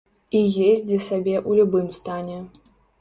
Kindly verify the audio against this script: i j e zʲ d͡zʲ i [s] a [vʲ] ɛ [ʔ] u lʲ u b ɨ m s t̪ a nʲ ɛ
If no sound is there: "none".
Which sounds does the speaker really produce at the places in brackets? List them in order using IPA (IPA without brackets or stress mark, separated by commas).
s, bʲ, ʔ